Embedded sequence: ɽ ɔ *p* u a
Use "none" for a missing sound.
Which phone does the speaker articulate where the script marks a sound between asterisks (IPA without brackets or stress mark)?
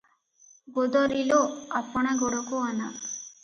k